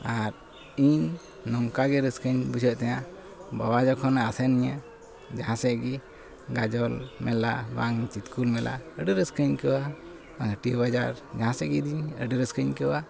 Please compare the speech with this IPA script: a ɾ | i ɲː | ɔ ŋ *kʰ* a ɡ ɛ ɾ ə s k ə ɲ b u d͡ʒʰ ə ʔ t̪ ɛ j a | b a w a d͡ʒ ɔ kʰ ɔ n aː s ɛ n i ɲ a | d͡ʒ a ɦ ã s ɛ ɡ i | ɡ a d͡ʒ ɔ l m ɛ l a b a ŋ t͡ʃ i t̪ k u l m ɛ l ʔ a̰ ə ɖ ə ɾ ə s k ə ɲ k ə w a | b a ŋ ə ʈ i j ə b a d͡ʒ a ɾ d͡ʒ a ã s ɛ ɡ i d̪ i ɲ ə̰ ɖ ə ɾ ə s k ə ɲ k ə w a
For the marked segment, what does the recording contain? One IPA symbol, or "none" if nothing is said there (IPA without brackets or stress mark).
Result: k